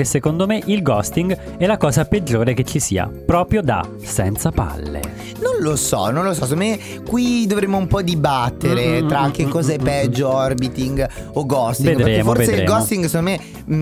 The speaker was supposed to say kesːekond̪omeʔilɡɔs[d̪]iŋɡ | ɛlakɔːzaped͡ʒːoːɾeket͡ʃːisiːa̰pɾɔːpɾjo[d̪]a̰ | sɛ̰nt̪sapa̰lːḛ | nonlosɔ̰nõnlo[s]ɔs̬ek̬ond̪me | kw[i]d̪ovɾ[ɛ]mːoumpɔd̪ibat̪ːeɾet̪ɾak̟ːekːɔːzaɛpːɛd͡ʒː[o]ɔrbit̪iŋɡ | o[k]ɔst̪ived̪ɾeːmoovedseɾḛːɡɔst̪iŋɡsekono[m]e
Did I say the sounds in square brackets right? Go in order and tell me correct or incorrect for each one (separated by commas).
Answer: incorrect, correct, correct, correct, incorrect, correct, incorrect, correct